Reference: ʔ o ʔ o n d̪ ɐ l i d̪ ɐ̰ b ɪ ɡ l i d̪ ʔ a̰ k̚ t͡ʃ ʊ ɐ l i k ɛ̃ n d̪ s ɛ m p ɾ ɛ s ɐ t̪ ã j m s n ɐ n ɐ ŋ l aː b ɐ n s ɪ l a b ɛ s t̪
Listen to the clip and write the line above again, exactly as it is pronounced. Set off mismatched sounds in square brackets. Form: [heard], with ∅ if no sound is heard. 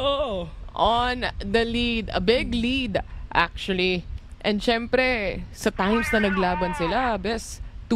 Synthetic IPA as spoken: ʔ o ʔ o n d̪ ɐ l i d̪ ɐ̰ b ɪ ɡ l i d̪ ʔ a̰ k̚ t͡ʃ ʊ ɐ l i [ʔ] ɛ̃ n d̪ [ʃ] ɛ m p ɾ ɛ s ɐ t̪ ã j m s n ɐ n ɐ [ɡ] l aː b ɐ n s ɪ l a b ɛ s t̪